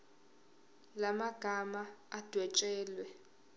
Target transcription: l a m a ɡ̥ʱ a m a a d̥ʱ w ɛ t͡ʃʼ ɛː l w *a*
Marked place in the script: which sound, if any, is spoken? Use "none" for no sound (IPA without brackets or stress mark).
ɛ